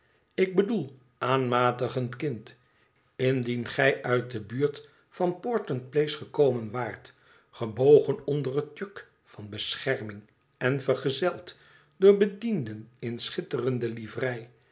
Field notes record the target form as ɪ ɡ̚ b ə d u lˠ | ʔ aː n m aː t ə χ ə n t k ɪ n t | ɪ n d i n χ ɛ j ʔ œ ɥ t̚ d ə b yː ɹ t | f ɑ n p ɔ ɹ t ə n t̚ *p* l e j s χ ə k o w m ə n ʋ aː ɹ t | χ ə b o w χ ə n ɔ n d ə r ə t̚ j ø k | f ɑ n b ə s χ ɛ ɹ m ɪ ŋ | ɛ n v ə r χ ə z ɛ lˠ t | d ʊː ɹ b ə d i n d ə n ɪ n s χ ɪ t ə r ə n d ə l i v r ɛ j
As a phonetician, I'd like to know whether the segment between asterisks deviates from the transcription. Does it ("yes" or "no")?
no